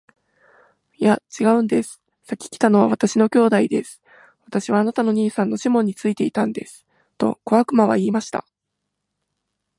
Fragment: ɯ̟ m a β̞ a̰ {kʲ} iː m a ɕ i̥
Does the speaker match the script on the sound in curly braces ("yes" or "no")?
no